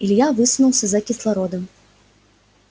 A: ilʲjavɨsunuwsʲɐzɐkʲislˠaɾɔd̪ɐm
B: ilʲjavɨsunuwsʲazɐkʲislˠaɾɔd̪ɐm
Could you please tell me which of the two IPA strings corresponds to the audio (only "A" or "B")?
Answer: A